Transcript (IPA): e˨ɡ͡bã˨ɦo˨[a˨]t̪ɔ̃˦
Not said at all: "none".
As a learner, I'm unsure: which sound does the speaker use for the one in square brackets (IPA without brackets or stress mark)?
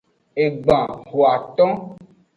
a˨